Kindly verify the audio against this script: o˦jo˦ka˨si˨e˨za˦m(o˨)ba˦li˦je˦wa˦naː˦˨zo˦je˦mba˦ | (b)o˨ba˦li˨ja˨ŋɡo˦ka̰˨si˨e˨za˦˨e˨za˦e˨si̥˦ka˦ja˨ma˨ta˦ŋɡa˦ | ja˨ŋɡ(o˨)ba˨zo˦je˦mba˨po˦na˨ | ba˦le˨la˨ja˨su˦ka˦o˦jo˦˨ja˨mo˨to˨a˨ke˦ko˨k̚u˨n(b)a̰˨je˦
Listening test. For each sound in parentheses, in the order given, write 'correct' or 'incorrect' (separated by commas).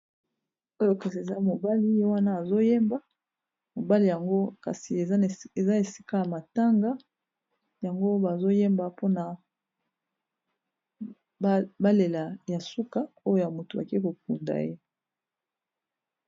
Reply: correct, incorrect, incorrect, incorrect